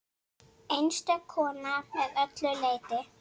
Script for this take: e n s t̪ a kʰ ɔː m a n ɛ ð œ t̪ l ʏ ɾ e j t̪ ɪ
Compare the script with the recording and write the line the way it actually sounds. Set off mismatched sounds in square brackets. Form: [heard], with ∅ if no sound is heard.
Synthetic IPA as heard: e n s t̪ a kʰ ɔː [n] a [m] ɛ ð œ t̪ l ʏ [l] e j t̪ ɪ